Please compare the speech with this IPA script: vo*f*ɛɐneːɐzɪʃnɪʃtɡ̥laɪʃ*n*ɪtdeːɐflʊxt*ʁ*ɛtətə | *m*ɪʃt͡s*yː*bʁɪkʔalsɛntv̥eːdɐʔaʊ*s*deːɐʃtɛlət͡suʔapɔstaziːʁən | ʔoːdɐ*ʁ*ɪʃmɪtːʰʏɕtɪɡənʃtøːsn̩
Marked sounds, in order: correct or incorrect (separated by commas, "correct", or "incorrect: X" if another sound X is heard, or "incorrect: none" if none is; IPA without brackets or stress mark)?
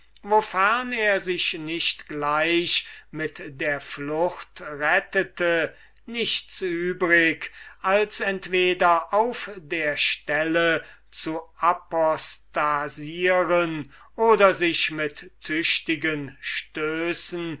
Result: correct, incorrect: m, correct, incorrect: n, correct, incorrect: f, incorrect: z